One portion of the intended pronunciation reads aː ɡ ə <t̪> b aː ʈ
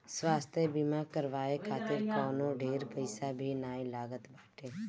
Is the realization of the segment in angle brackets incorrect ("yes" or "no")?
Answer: no